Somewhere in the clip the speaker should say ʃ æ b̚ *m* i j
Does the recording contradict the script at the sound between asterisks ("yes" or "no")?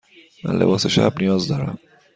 yes